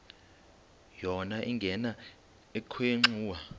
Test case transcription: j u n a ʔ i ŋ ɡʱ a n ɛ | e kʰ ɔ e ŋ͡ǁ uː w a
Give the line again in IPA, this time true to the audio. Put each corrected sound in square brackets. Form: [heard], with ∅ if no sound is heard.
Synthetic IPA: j [ɔ] n a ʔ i ŋ ɡʱ [ɛ] n [a] | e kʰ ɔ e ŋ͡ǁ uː w a